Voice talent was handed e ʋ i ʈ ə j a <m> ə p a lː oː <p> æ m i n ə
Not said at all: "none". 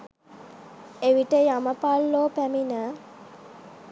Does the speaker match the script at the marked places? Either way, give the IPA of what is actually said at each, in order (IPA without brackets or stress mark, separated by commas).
m, p